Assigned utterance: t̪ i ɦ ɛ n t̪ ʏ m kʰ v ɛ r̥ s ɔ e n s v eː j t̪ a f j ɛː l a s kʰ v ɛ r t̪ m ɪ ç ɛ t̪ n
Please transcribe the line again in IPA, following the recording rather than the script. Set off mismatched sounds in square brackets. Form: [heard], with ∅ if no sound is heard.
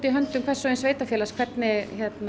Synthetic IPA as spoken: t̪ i ɦ [œ] n t̪ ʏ m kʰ v ɛ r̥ s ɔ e n s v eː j t̪ a f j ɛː l a s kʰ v ɛ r t̪ [n] ɪ ç ɛ t̪ n